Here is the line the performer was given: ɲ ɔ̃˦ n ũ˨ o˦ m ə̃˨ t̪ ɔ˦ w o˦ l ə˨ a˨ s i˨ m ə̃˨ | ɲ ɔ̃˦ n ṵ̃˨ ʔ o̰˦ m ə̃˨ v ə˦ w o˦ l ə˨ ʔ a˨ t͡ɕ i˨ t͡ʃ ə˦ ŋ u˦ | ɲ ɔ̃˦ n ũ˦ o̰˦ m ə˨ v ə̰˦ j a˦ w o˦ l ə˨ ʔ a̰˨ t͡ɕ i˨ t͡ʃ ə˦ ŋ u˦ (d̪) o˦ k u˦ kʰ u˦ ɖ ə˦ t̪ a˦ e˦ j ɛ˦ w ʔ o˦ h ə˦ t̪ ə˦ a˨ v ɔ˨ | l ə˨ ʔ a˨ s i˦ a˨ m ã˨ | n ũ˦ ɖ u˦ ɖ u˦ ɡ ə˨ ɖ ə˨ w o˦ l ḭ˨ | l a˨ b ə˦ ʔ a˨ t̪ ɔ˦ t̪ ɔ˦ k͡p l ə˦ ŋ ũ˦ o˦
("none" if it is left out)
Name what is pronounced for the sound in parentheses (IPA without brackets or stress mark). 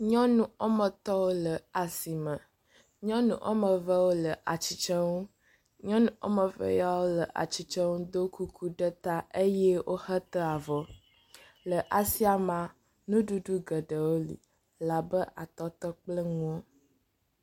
d̪